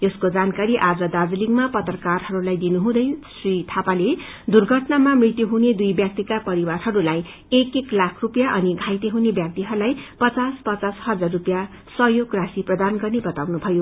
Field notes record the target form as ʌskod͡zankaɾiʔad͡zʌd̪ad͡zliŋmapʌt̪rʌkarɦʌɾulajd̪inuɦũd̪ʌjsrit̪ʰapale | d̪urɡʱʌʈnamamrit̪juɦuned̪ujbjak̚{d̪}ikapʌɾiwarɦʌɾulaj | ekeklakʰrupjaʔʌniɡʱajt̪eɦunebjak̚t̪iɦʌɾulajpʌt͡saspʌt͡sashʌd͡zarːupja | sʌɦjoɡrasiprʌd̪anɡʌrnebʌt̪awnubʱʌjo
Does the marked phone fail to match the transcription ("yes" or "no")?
yes